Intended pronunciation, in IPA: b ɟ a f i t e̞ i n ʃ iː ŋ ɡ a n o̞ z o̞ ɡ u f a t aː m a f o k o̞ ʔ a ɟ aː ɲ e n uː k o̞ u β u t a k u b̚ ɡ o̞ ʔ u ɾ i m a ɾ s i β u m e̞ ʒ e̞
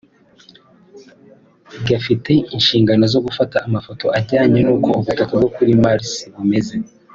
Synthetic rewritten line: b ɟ a f i t e̞ i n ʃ iː ŋ ɡ a n o̞ z o̞ ɡ u f a t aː m a f o t o̞ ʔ a ɟ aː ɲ e n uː k o̞ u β u t a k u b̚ ɡ o̞ k u ɾ i m a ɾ s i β u m e̞ z e̞